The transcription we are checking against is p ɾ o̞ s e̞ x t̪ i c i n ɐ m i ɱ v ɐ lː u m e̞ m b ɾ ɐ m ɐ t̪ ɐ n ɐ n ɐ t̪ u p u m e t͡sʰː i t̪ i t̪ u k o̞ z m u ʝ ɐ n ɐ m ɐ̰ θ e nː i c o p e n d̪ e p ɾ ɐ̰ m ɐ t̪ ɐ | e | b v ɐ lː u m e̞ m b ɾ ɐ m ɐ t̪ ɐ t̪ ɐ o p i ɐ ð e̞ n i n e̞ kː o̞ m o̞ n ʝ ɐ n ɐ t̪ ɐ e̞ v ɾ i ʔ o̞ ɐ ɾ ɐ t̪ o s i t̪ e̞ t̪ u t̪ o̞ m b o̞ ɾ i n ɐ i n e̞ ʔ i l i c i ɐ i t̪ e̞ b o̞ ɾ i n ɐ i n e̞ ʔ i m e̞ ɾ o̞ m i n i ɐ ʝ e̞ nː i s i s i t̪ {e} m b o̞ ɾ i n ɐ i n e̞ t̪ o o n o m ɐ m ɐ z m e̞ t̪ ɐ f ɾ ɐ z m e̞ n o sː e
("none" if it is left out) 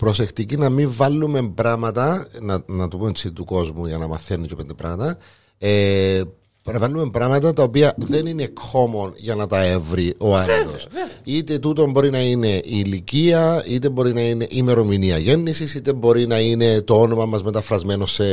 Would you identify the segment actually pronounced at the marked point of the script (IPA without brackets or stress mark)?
e